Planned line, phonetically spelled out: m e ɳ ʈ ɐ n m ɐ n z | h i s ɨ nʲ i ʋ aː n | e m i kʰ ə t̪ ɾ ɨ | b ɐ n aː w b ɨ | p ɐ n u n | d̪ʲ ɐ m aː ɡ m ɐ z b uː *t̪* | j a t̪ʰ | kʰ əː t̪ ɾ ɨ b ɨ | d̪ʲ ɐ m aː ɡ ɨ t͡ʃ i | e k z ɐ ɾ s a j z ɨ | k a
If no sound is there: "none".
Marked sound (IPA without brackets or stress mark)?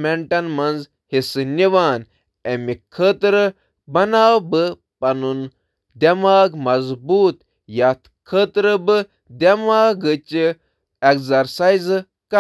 t̪